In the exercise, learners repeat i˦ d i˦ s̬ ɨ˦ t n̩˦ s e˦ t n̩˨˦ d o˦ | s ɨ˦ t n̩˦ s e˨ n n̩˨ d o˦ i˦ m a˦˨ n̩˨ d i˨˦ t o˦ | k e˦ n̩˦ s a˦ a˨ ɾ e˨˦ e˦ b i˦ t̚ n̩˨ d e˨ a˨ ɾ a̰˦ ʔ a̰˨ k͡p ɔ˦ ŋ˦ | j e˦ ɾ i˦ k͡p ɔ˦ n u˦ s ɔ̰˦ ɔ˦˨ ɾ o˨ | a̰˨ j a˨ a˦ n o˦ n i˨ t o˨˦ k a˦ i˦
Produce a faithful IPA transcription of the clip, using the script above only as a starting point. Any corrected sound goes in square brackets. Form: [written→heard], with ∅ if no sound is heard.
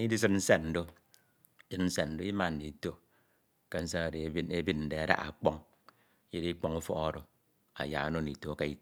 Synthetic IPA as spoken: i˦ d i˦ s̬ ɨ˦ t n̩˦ s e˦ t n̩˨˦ d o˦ | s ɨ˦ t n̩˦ s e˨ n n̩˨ d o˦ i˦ m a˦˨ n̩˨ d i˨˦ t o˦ | k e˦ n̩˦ s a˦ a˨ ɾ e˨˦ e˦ b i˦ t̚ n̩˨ d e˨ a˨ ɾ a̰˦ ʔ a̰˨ k͡p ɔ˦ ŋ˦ | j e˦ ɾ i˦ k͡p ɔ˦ [n→ŋ] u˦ [s→f] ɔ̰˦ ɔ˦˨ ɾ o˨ | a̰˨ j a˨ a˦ n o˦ n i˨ t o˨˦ k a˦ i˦

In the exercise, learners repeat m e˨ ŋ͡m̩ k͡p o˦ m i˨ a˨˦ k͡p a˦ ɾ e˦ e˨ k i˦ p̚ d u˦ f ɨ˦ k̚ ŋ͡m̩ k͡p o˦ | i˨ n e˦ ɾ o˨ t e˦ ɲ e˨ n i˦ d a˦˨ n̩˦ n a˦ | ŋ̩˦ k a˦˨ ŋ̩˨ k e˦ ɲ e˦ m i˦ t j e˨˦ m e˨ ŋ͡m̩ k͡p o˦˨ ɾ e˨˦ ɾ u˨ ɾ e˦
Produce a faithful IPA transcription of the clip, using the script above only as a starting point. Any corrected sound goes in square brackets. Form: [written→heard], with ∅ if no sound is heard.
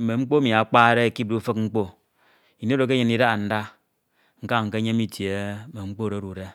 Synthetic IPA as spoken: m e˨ ŋ͡m̩ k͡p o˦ m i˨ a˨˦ k͡p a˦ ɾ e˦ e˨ k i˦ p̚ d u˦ f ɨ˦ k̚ ŋ͡m̩ k͡p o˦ | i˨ n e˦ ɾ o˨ [t→k] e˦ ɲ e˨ n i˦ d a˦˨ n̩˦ [n→d] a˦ | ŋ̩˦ k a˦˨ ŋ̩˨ k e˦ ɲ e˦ m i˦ t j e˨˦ m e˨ ŋ͡m̩ k͡p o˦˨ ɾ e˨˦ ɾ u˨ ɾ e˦

